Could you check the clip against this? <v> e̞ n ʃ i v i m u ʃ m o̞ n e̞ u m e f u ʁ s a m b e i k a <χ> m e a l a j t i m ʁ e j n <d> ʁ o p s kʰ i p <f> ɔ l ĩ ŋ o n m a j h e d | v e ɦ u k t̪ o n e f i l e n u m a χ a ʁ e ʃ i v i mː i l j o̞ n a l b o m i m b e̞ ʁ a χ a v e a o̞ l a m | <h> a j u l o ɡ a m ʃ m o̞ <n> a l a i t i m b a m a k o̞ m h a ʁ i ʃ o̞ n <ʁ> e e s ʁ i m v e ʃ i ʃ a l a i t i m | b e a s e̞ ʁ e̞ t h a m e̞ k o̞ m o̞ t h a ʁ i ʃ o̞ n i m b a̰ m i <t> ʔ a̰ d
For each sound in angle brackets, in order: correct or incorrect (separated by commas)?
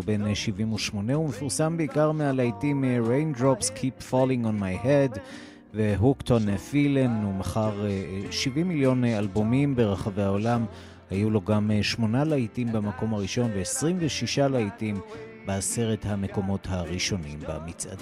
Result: incorrect, incorrect, correct, correct, correct, correct, incorrect, incorrect